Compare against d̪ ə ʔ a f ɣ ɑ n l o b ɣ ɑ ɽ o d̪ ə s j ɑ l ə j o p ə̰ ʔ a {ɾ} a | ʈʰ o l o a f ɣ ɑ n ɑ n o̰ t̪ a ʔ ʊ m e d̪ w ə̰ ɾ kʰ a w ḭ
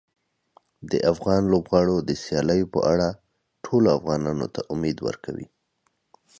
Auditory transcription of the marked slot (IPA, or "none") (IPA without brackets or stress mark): ɽ